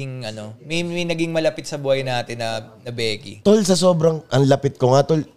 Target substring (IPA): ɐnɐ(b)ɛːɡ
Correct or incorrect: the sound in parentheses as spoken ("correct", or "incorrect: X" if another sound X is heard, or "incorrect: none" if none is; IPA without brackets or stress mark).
correct